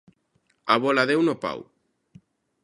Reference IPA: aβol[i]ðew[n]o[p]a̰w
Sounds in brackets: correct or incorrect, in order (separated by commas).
incorrect, correct, correct